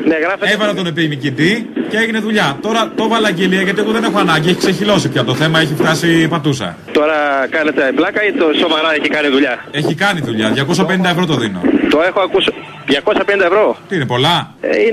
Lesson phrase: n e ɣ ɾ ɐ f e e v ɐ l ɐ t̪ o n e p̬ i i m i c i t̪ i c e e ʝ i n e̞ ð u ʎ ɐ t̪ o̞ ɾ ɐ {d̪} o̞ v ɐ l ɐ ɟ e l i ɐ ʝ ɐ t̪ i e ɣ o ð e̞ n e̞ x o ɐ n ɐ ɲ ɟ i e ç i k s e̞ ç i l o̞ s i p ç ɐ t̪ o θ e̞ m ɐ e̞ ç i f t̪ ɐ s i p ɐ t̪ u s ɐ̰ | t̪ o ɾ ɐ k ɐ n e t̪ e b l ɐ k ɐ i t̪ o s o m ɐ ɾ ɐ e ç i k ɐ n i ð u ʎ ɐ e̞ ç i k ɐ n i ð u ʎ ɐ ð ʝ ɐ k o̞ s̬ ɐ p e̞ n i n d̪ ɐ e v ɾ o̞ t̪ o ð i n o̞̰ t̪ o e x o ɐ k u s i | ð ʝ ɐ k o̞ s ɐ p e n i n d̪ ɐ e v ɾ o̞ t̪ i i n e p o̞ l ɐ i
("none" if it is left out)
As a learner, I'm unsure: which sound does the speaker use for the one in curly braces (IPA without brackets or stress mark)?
t̪